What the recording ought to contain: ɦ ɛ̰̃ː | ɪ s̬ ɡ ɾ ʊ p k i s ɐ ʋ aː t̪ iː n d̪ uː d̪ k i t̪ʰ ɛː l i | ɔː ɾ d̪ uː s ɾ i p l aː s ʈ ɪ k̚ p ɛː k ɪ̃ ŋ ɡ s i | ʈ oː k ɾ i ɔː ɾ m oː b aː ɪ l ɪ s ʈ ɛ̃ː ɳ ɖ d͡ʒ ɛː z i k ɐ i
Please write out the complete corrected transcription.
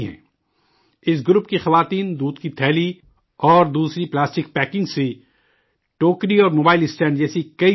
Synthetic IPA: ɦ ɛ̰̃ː | ɪ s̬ ɡ ɾ ʊ p k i x ɐ ʋ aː t̪ iː n d̪ uː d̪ k i t̪ʰ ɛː l i | ɔː ɾ d̪ uː s ɾ i p l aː s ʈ ɪ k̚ p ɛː k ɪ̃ ŋ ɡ s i | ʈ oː k ɾ i ɔː ɾ m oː b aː ɪ l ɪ s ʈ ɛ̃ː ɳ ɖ d͡ʒ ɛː s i k ɐ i